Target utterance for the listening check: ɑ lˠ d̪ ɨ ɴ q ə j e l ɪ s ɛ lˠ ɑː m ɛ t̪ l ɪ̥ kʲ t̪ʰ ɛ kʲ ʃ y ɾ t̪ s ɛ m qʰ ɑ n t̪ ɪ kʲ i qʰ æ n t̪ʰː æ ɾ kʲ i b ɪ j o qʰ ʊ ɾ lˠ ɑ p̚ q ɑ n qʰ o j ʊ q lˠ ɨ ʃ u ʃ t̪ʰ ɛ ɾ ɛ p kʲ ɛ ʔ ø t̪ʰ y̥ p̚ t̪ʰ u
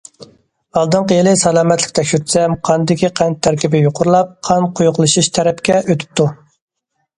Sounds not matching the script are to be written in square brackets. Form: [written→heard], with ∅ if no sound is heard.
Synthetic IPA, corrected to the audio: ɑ lˠ d̪ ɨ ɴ q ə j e l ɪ s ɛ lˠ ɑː m ɛ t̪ l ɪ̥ kʲ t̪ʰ ɛ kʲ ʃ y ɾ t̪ s ɛ m qʰ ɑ n [t̪→d̪] ɪ kʲ i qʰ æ n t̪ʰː æ ɾ kʲ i b ɪ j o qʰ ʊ ɾ lˠ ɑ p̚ [q→qʰ] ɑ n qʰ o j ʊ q lˠ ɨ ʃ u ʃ t̪ʰ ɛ ɾ ɛ p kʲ ɛ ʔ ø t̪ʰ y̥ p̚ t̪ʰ u